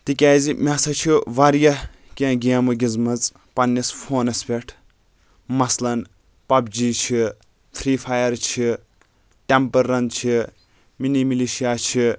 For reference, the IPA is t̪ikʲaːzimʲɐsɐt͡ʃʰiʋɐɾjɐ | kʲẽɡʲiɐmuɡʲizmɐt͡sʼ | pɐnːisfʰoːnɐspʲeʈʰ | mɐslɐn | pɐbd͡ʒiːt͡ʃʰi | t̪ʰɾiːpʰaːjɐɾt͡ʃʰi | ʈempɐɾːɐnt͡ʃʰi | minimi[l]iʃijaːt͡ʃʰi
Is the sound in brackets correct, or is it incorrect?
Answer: correct